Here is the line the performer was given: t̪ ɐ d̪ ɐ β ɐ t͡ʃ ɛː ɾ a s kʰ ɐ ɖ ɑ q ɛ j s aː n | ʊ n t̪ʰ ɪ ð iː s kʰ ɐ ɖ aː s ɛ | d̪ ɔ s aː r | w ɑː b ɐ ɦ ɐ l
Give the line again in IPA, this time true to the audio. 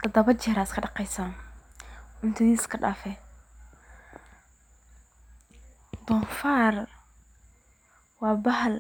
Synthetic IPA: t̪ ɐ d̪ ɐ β ɐ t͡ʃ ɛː ɾ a s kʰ ɐ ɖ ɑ q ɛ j s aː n | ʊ n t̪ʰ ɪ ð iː s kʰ ɐ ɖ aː f ɛ | d̪ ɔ f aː r | w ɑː b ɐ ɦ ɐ l